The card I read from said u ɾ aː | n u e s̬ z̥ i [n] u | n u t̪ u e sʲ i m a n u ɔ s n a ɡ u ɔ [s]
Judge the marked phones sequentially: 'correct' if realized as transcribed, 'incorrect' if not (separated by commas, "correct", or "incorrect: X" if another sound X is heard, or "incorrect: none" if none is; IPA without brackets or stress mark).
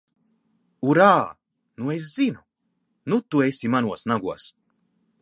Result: correct, correct